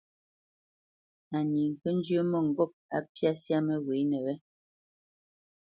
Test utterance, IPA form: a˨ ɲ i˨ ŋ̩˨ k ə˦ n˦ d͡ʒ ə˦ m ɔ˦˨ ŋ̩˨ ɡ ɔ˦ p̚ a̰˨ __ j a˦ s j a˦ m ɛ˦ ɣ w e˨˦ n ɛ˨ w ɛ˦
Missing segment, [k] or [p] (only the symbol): p